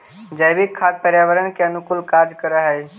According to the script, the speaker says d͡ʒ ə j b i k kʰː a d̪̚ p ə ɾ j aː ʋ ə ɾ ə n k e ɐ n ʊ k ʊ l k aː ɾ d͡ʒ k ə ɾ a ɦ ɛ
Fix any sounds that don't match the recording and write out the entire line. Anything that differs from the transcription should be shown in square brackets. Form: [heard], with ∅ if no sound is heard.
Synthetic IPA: d͡ʒ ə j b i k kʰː a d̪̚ p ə ɾ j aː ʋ ə ɾ ə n k e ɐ n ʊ k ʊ l k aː ɾ d͡ʒ k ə ɾ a ɦ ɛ